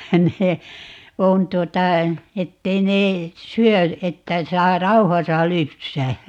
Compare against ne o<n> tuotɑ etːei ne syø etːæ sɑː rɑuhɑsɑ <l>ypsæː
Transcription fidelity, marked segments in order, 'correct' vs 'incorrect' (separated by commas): correct, correct